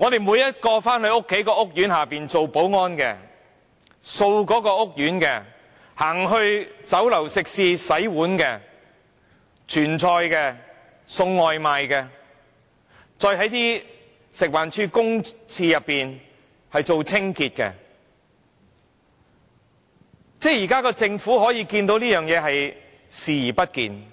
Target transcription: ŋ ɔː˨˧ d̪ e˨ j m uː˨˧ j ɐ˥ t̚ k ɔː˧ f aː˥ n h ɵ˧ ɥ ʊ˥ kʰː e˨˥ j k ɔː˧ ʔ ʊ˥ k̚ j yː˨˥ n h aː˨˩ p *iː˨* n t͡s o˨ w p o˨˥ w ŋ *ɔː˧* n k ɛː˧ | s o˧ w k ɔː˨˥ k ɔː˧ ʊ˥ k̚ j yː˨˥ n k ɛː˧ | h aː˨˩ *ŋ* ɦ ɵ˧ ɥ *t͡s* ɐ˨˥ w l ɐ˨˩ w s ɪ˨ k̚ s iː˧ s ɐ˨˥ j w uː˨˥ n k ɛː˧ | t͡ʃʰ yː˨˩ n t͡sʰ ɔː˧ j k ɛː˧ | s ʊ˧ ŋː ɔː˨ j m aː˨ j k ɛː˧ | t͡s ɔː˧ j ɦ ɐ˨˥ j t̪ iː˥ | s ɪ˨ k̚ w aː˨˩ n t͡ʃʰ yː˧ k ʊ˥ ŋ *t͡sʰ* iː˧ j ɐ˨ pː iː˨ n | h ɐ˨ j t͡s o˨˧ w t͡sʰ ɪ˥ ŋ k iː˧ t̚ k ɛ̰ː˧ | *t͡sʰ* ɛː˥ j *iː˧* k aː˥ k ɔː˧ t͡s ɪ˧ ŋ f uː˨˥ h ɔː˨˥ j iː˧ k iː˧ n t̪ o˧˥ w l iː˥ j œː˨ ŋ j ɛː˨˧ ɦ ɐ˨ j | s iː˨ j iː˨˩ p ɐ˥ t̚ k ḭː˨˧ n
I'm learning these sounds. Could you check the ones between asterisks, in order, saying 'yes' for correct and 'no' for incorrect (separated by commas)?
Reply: yes, no, yes, yes, yes, no, no